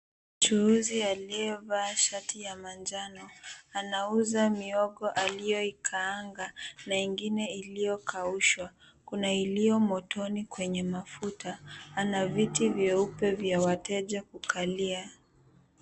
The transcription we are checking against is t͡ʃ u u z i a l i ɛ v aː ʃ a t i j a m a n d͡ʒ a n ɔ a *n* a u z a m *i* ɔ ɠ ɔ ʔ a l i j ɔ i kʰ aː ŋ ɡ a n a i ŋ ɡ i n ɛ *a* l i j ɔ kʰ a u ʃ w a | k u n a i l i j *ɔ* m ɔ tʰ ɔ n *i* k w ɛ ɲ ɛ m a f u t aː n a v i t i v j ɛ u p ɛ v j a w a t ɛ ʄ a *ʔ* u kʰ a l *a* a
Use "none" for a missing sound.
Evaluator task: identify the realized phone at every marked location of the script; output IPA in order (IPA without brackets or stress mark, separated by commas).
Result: n, i, i, ɔ, i, k, i